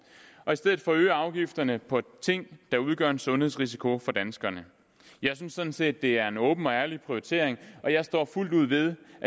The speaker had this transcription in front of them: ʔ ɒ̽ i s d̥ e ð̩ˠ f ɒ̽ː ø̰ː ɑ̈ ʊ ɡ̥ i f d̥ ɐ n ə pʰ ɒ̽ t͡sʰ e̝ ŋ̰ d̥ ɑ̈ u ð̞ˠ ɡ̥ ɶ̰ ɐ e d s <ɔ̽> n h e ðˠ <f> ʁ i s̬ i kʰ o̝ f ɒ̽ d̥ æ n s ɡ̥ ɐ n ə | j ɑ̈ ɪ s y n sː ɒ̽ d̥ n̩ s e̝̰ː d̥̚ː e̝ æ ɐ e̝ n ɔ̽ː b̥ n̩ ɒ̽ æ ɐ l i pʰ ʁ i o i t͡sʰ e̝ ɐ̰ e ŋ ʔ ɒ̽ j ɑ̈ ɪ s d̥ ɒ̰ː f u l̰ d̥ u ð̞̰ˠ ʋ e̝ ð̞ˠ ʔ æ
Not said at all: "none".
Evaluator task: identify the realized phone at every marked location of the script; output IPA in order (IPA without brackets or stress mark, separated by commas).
ɔ̽, s